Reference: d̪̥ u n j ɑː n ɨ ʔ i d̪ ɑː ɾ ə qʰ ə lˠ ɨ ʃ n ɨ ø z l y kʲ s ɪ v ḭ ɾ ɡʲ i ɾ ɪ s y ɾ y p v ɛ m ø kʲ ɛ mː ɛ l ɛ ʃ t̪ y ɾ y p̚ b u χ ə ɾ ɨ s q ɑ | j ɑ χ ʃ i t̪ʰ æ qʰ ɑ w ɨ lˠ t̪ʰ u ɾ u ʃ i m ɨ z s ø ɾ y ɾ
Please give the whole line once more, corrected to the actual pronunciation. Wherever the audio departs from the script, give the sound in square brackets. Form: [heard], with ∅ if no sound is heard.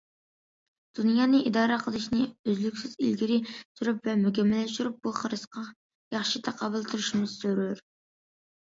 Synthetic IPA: d̪̥ u n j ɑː n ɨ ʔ i d̪ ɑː ɾ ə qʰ ə lˠ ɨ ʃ n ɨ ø z l y kʲ s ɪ [z] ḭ [l] ɡʲ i ɾ ɪ s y ɾ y p v ɛ m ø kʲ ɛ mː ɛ l ɛ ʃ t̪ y ɾ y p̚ b u χ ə ɾ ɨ s q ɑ | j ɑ χ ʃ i t̪ʰ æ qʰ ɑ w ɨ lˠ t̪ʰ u ɾ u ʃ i m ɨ z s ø ɾ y ɾ